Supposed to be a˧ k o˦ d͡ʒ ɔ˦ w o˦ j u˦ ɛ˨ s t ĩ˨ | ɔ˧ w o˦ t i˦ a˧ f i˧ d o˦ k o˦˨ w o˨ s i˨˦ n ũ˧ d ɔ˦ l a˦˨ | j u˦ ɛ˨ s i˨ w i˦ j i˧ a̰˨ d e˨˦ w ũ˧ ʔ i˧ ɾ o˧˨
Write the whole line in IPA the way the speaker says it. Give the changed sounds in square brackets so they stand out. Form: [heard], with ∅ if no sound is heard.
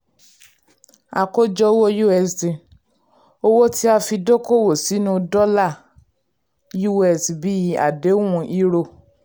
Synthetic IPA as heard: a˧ k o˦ d͡ʒ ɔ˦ w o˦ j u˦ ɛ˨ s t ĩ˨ | [o˧] w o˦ t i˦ a˧ f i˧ d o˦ k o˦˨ w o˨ s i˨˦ n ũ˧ d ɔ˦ l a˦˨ | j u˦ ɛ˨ s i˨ [b] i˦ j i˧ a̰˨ d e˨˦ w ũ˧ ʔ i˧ ɾ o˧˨